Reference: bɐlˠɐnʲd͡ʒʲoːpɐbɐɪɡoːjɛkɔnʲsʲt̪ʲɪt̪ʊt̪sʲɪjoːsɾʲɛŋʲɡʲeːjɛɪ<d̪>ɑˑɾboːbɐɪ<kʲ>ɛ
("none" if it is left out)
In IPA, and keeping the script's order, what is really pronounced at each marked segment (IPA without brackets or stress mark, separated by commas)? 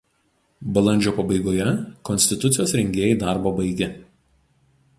d̪, ɡʲ